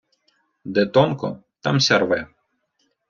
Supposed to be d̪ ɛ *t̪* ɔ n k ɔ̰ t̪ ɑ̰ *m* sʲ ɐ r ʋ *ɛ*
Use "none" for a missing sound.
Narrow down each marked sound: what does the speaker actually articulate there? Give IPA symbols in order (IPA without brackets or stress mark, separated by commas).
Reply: t̪, m, ɛ